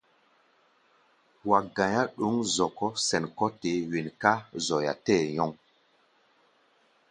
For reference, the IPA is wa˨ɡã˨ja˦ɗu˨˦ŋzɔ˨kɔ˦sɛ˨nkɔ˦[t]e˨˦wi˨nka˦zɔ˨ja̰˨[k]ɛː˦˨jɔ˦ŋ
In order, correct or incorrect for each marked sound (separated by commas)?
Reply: correct, incorrect